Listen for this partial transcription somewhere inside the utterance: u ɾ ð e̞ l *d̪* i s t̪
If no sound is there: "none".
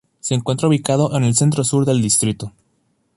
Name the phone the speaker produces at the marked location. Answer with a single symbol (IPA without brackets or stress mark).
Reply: d̪